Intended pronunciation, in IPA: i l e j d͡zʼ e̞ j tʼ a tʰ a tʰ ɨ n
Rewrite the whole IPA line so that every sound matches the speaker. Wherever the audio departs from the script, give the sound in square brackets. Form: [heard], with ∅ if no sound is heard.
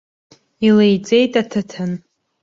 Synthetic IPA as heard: i l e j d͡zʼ e̞ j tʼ a tʰ a tʰ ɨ n